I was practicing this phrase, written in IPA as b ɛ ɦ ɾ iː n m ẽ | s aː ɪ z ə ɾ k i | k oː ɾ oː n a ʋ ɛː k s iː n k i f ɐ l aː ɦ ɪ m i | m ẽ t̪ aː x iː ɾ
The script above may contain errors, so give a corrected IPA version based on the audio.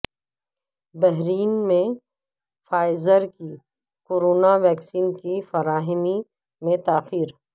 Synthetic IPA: b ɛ ɦ ɾ iː n m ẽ | f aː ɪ z ə ɾ k i | k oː ɾ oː n a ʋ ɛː k s iː n k i f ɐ ɾ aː ɦ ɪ m i | m ẽ t̪ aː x iː ɾ